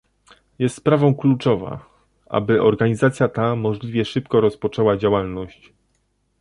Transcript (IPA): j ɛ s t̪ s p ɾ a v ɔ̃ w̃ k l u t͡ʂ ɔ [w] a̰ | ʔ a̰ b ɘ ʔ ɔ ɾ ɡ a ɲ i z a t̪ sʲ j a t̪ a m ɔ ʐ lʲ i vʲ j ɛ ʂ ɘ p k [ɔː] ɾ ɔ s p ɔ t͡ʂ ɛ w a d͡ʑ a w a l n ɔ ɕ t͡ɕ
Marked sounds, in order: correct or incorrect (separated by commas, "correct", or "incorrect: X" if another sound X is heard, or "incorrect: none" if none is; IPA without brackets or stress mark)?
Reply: incorrect: v, incorrect: ɔ